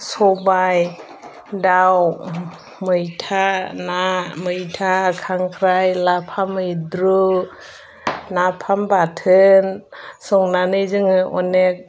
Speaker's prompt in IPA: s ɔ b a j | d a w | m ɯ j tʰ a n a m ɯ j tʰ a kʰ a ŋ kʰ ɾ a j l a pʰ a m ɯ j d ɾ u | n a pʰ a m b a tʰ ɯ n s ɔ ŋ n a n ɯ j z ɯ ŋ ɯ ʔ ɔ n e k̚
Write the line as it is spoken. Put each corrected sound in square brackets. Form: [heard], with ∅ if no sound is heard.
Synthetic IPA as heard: s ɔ b a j | d a w | m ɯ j tʰ a n a m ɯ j tʰ a kʰ a ŋ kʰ ɾ a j l a pʰ a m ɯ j d ɾ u | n a pʰ a m b a tʰ ɯ n s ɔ ŋ n a n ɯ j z ɯ ŋ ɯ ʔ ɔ n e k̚